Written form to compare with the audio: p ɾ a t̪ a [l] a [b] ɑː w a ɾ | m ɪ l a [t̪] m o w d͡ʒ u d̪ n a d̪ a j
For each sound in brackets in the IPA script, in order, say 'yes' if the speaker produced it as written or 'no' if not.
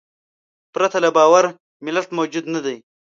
yes, yes, yes

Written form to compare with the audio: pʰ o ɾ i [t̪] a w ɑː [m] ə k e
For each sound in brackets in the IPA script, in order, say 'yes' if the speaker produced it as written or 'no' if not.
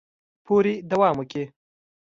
no, yes

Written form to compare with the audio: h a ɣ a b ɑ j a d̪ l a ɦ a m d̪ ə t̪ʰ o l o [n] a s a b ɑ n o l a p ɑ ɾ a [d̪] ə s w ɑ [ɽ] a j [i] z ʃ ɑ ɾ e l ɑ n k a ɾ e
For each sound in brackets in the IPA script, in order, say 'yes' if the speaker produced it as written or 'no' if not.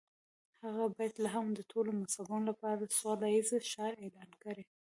no, yes, no, yes

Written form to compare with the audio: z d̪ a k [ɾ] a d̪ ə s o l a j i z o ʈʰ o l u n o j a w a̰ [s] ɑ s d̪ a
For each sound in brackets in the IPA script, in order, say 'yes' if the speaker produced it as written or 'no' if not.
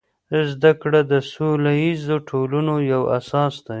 no, yes

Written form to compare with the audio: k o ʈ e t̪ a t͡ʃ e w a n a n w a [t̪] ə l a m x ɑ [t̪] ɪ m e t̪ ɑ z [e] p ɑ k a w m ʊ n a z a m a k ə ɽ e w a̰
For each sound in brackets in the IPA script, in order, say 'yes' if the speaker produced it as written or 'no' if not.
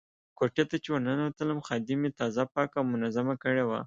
yes, no, no

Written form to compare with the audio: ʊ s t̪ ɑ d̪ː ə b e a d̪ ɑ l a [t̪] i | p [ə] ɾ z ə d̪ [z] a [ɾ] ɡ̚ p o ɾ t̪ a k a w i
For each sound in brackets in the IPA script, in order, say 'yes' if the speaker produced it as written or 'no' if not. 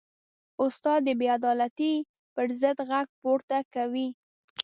yes, yes, no, no

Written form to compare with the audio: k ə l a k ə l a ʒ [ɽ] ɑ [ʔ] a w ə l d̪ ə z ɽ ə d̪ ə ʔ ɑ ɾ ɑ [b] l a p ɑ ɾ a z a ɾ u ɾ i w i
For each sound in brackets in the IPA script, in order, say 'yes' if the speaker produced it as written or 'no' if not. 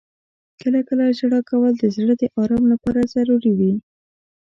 yes, no, no

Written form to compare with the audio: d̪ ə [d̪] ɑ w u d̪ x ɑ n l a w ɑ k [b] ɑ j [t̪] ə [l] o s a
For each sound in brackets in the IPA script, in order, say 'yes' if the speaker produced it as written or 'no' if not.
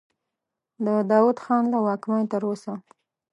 yes, no, yes, no

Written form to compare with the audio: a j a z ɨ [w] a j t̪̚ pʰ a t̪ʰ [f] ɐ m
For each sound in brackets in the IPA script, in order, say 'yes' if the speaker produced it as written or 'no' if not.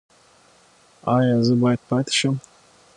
no, no

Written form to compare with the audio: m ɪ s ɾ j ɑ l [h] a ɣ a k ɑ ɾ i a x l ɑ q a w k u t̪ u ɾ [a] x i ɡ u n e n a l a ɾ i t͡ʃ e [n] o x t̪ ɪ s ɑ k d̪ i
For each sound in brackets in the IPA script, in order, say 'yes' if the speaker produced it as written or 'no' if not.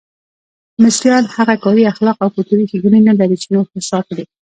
yes, no, yes

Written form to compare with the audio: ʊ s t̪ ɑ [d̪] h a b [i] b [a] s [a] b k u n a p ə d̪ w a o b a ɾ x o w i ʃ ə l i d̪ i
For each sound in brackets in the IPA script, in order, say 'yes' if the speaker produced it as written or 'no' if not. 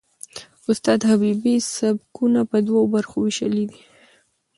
yes, yes, no, yes

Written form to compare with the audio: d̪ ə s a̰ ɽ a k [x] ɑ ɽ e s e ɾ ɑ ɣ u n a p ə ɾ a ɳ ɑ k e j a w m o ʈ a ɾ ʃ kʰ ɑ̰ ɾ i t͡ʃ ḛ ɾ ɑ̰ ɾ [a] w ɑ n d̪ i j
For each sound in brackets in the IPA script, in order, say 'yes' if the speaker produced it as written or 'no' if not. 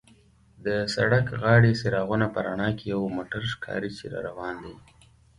no, yes

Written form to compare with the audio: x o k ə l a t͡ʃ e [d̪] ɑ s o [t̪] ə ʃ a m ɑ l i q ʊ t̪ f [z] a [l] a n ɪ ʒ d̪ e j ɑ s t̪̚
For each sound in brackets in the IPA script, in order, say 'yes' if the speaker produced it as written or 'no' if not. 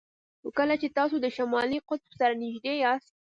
no, no, no, no

